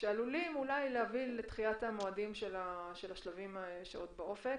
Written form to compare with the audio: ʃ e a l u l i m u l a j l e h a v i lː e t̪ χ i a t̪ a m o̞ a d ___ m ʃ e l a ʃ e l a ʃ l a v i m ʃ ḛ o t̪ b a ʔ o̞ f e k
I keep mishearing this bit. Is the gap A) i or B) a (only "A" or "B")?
A